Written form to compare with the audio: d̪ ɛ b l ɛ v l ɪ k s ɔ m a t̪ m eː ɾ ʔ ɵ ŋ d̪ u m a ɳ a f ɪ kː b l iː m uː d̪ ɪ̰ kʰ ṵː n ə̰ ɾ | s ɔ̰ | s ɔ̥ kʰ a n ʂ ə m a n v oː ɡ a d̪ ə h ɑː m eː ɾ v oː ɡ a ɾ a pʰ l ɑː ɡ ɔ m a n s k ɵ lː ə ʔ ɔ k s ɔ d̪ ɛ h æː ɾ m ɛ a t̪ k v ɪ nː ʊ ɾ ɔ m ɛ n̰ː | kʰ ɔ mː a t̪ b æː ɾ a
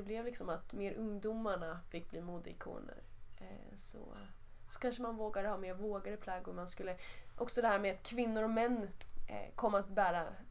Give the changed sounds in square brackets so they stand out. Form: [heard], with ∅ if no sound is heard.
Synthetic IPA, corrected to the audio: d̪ ɛ b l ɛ v l ɪ k s ɔ m a t̪ m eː ɾ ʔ ɵ ŋ d̪ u m a ɳ a f ɪ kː b l iː m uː d̪ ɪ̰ kʰ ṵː n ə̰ ɾ | s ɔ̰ | s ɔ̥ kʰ a n ʂ ə m a n v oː ɡ a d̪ ə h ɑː m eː ɾ v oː ɡ a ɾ [ə] pʰ l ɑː ɡ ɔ m a n s k ɵ lː ə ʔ ɔ k s ɔ d̪ ɛ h æː ɾ m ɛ a t̪ [kʰ] v ɪ nː ʊ ɾ ɔ m ɛ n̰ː | kʰ ɔ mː a t̪ b æː ɾ a